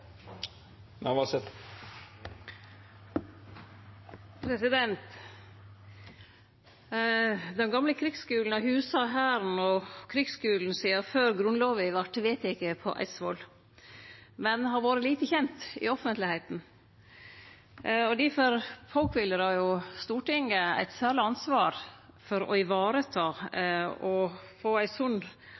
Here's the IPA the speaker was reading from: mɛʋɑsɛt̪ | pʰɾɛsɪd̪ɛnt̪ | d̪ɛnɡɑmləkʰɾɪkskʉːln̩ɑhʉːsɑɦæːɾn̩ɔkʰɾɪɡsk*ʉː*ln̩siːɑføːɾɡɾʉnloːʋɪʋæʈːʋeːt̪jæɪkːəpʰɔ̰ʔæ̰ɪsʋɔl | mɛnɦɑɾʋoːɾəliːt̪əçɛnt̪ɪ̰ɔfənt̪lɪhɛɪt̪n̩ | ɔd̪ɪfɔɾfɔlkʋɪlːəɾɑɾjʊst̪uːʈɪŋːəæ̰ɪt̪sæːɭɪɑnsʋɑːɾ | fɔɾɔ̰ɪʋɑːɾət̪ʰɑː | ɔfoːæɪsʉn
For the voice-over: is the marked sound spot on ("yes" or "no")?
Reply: yes